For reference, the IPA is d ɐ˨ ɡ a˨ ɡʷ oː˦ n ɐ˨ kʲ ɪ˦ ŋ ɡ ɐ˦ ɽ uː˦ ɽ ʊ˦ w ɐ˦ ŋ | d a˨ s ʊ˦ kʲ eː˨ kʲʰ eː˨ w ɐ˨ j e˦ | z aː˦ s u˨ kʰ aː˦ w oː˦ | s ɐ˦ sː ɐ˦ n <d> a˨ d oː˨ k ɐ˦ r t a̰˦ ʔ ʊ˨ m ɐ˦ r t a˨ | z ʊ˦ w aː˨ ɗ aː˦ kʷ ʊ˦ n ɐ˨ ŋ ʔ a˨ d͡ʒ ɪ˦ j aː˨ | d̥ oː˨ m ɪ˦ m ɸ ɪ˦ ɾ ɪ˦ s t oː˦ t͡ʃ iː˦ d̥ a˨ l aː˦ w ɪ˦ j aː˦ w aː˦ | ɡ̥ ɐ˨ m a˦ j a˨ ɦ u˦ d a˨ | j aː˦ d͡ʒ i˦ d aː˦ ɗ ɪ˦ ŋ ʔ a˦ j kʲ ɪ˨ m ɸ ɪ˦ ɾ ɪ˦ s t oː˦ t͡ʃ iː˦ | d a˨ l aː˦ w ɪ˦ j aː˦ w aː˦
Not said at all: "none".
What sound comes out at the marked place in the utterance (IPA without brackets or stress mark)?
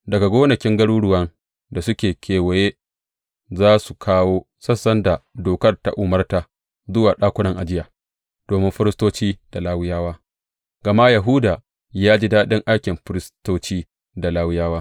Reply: d